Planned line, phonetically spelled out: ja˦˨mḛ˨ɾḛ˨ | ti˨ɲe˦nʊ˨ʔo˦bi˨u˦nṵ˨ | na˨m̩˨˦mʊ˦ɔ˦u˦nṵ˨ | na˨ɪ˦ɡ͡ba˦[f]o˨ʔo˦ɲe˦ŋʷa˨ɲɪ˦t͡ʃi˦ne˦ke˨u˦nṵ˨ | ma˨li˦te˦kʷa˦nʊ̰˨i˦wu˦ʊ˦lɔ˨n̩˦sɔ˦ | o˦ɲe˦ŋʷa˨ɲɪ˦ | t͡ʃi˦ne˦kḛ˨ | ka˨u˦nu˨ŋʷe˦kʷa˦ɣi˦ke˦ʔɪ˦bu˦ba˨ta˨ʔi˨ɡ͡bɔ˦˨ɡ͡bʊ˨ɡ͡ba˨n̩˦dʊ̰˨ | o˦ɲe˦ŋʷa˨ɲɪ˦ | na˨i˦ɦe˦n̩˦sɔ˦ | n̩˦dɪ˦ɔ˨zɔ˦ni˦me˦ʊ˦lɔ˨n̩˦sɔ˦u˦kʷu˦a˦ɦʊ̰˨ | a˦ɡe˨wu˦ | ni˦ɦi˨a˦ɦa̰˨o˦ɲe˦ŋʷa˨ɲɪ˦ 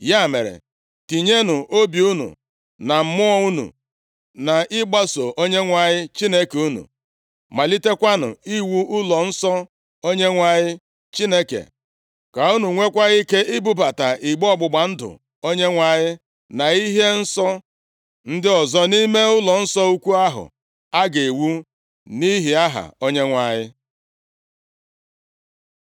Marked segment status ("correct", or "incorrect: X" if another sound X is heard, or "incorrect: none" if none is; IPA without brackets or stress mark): incorrect: s